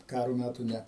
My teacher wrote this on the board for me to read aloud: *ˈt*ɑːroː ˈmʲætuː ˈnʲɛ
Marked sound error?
yes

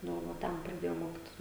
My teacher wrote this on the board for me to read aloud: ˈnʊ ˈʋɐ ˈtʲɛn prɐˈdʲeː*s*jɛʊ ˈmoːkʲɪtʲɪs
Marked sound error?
yes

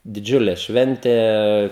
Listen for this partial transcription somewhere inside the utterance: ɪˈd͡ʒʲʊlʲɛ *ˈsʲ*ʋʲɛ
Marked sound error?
yes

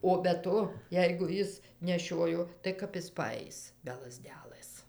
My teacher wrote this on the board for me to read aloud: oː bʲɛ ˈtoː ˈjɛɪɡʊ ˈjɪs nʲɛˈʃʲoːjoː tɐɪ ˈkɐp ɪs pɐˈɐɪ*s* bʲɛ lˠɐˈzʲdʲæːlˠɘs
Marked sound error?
no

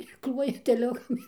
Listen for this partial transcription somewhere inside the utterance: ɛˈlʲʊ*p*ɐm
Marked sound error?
yes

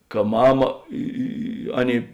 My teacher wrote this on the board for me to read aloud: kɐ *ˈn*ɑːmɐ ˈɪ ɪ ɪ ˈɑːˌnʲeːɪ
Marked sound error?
yes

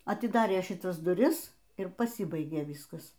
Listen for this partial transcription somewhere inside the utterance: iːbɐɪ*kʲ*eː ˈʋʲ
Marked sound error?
yes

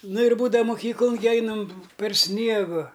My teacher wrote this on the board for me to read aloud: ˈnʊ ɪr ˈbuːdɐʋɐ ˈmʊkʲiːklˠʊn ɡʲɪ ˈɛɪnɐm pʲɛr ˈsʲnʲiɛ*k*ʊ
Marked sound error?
yes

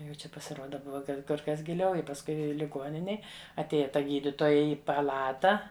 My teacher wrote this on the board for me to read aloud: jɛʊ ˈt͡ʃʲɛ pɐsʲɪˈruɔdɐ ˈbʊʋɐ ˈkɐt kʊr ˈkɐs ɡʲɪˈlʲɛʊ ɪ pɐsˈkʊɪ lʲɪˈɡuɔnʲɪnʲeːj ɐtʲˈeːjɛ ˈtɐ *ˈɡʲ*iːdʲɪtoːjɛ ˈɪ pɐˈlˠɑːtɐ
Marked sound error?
no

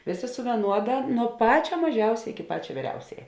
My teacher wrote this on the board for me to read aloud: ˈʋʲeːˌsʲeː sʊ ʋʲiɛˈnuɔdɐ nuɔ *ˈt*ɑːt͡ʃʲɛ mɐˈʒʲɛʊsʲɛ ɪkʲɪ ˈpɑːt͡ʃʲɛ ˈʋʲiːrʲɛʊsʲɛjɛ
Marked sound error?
yes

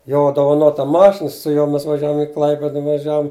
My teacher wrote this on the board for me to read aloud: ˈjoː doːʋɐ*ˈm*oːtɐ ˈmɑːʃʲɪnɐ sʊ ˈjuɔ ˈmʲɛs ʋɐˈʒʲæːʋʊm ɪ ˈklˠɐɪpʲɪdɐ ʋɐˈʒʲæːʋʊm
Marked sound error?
yes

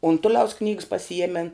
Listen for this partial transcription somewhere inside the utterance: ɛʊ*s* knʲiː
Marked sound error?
no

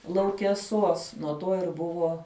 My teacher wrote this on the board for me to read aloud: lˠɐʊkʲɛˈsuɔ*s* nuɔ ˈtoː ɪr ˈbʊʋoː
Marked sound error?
no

